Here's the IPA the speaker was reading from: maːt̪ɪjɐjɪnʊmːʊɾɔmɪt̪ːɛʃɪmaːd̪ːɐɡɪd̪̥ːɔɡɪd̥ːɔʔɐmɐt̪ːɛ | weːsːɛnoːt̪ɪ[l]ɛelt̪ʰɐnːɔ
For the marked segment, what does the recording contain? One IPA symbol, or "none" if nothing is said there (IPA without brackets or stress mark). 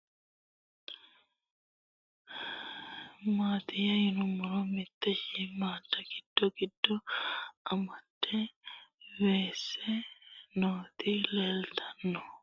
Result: l